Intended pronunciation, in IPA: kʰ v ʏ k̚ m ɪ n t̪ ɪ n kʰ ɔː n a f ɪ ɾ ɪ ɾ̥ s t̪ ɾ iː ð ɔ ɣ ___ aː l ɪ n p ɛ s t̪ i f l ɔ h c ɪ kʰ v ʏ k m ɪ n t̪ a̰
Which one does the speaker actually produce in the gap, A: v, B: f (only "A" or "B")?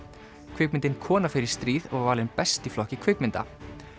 A